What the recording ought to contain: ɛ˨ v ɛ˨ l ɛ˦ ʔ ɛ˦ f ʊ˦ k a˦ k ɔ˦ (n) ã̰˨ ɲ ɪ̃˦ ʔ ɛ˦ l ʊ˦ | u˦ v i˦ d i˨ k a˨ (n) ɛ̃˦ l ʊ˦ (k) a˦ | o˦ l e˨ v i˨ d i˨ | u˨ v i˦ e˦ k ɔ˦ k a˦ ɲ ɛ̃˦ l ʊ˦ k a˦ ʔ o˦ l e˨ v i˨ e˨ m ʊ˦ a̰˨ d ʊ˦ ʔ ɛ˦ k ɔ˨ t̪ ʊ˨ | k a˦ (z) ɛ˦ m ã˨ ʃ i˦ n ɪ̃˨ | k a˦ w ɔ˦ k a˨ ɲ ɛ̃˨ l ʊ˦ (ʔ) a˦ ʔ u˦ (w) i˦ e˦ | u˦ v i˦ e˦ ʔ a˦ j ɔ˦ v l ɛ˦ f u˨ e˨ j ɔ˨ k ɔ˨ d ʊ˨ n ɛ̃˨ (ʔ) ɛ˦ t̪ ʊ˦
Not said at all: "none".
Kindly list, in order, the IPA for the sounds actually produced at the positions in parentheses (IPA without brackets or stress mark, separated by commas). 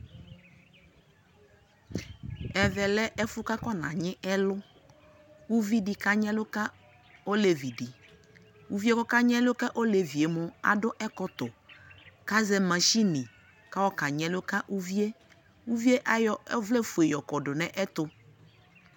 n, ɲ, k, z, k, v, ʔ